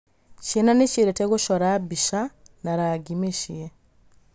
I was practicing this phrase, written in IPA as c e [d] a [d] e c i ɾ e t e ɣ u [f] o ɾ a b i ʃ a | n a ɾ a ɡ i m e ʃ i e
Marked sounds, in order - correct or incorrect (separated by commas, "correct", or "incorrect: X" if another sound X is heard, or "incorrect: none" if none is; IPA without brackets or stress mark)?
incorrect: n, incorrect: n, incorrect: ʃ